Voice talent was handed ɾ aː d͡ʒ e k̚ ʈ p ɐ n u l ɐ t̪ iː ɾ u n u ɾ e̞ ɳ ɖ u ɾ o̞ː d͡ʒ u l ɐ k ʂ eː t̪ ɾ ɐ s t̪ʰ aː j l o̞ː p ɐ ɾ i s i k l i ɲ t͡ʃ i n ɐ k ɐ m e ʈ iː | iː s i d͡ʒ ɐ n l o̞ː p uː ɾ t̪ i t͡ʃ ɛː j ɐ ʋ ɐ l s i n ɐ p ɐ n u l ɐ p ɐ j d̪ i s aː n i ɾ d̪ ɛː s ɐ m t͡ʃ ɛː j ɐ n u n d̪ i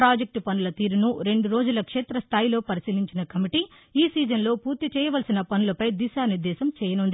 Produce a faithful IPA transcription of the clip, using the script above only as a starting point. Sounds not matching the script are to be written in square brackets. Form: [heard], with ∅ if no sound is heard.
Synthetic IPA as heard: ɾ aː d͡ʒ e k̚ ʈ p ɐ n u l ɐ t̪ iː ɾ u n u ɾ e̞ ɳ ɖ u ɾ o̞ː d͡ʒ u l ɐ k ʂ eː t̪ ɾ ɐ s t̪ʰ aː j l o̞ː p ɐ ɾ i s i [∅] l i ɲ t͡ʃ i n ɐ k ɐ m [i] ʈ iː | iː s [iː] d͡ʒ ɐ n l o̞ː p uː ɾ t̪ i t͡ʃ ɛː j ɐ ʋ ɐ l s i n ɐ p ɐ n u l ɐ p ɐ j d̪ i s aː n i ɾ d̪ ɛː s ɐ m t͡ʃ ɛː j ɐ n u n d̪ i